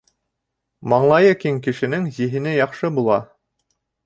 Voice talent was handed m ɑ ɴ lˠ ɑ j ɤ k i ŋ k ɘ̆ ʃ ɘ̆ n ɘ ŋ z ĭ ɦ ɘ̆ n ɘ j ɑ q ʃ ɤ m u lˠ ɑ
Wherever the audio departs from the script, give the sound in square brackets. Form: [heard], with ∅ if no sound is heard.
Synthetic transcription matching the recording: m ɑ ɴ lˠ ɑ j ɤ k i ŋ k ɘ̆ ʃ ɘ̆ n ɘ ŋ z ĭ ɦ ɘ̆ n ɘ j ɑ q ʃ ɤ [b] u lˠ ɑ